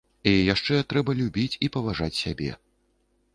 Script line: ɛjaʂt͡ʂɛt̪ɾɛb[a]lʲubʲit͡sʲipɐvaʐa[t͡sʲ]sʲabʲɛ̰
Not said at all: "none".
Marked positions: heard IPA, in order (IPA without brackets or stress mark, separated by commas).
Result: ɐ, t͡sʲ